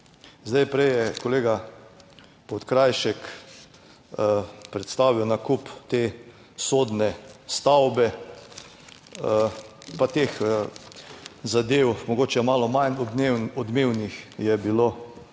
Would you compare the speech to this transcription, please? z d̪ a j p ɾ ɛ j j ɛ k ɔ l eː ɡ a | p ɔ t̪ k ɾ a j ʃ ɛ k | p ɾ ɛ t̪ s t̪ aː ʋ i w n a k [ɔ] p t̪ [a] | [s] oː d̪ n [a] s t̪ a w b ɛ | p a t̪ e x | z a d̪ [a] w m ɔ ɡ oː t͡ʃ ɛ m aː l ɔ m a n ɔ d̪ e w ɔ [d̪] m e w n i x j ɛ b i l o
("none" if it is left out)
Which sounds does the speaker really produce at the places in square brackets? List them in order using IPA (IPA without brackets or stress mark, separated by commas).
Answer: u, e, s, ɛ, e, d̪